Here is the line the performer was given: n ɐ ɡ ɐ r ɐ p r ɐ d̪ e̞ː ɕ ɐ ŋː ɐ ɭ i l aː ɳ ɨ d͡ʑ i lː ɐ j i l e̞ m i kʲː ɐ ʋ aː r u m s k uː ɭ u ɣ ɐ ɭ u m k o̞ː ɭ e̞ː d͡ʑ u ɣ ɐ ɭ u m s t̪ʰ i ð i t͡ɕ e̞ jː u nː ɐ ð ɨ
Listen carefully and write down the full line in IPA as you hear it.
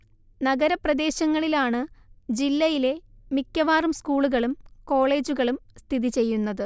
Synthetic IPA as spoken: n ɐ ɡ ɐ ɾ ɐ p r ɐ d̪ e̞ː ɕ ɐ ŋː ɐ ɭ i l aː ɳ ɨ d͡ʑ i lː ɐ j i l e̞ m i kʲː ɐ ʋ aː r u m s k uː ɭ u ɣ ɐ ɭ u m k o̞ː ɭ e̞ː d͡ʑ u ɣ ɐ ɭ u m s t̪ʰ i ð i t͡ɕ e̞ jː u nː ɐ ð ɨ